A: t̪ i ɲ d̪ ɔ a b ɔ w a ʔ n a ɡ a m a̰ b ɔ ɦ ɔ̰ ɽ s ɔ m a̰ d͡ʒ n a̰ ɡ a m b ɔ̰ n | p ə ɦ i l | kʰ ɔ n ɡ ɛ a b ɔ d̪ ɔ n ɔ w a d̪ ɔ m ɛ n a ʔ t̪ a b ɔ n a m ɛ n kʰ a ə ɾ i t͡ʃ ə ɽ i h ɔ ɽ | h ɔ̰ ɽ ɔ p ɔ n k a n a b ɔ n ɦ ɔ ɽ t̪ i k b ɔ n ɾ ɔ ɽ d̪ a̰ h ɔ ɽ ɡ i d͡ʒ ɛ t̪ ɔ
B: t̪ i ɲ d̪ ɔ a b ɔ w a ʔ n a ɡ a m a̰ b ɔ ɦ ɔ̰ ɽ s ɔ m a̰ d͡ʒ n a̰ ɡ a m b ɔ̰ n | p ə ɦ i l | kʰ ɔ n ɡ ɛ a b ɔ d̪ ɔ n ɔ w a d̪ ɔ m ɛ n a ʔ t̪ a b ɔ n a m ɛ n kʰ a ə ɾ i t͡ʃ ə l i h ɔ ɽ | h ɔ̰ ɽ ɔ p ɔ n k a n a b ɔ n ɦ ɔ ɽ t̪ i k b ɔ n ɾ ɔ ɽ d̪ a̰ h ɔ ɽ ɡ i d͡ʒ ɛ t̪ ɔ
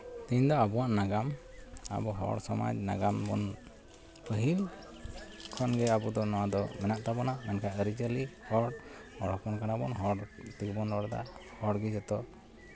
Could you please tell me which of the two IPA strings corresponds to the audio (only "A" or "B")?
B